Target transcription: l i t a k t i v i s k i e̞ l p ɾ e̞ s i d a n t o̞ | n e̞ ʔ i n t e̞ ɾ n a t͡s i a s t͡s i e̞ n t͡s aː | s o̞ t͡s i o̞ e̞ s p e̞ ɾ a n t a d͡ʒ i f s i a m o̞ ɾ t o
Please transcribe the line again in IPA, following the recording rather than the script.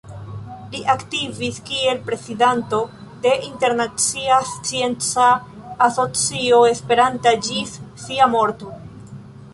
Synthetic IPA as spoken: l i ʔ a k t i v i s k i e̞ l p ɾ e̞ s i d a n t o̞ | d e̞ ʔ i n t e̞ ɾ n a t͡s i a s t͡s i e̞ n t͡s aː | s o̞ t͡s i o̞ e̞ s p e̞ ɾ a n t a d͡ʒ i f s i a m o̞ ɾ t o